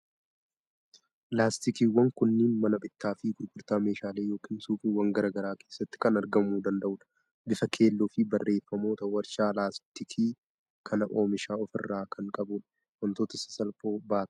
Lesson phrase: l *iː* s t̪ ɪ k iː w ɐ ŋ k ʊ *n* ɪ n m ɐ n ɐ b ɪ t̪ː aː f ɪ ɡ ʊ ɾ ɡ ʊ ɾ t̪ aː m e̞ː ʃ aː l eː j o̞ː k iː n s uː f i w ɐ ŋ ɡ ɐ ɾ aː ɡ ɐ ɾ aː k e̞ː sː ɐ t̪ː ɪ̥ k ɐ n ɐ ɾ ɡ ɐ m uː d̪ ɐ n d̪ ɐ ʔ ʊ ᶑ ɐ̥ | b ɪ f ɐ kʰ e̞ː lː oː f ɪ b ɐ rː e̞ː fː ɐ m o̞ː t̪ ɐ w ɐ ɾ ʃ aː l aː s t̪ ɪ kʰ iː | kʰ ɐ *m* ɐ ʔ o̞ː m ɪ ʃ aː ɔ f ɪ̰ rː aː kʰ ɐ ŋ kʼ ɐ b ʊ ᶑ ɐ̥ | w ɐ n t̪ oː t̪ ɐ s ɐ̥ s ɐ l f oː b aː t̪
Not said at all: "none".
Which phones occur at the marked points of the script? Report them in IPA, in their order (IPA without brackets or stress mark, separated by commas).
aː, nː, n